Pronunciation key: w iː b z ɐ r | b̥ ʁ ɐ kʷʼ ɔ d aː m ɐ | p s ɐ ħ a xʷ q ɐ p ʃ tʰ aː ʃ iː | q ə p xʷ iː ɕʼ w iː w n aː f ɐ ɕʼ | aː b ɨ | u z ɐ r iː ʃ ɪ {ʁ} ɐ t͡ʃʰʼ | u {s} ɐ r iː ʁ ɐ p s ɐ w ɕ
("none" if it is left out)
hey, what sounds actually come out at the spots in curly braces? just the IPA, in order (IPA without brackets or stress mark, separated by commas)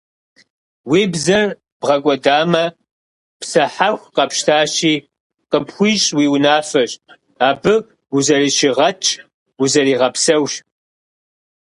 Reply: ʁ, z